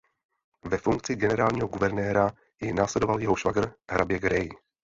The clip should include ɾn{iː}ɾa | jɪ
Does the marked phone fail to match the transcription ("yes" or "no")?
yes